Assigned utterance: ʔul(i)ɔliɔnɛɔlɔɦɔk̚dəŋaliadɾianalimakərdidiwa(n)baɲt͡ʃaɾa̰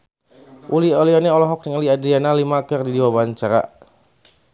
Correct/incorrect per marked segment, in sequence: correct, incorrect: none

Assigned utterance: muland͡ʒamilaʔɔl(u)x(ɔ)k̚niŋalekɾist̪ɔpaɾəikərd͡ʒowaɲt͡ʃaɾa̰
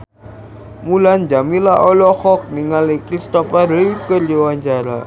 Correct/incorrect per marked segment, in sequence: incorrect: ɔ, correct

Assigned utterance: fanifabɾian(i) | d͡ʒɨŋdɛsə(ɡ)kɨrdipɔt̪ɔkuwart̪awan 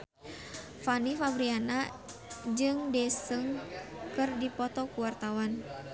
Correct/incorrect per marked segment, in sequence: incorrect: a, incorrect: ŋ

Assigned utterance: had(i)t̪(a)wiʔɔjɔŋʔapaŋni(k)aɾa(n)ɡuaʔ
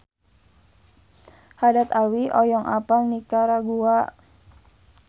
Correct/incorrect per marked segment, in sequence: incorrect: a, correct, correct, incorrect: none

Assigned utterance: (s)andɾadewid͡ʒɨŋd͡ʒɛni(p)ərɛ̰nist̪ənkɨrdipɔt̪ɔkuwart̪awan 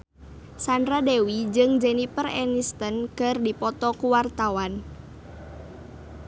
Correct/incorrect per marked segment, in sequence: correct, correct

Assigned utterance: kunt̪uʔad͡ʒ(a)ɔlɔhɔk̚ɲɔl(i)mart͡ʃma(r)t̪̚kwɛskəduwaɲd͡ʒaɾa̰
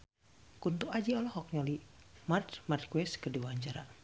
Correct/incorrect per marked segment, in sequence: incorrect: i, correct, correct

